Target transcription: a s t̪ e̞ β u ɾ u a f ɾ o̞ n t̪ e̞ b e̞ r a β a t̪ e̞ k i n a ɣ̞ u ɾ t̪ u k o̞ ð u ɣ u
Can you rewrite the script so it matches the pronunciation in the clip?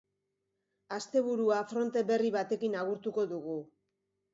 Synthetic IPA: a s t̪ e̞ β u ɾ u a f ɾ o̞ n t̪ e̞ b e̞ r i β a t̪ e̞ k i n a ɣ̞ u ɾ t̪ u k o̞ ð u ɣ u

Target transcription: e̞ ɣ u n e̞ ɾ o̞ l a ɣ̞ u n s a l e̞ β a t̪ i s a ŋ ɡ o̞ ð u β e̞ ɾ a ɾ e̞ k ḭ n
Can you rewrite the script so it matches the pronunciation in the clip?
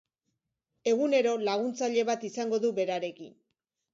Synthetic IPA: e̞ ɣ u n e̞ ɾ o̞ l a ɣ̞ u n t͡s a ʎ e̞ β a t̪ i s a ŋ ɡ o̞ ð u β e̞ ɾ a ɾ e̞ k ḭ n

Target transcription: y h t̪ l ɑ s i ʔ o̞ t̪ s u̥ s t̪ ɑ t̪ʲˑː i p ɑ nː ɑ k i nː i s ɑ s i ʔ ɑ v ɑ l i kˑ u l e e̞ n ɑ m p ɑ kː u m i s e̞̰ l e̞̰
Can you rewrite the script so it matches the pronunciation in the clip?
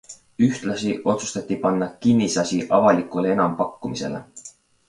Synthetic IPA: y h t̪ l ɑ s i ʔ o̞ t̪ s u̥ s t̪ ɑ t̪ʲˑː i p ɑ nː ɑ k i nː i s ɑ s i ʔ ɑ v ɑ l i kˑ u l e e̞ n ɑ m p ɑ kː u m i s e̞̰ l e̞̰

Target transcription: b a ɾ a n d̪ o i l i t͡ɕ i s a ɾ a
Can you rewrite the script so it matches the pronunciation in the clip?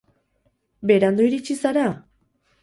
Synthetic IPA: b e ɾ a n d̪ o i ɾ i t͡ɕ i s a ɾ a

